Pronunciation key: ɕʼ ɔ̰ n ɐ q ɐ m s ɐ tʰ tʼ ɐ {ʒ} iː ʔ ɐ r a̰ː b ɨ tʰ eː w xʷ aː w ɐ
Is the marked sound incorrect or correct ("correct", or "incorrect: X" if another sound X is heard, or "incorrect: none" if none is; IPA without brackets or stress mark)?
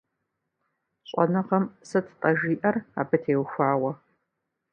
correct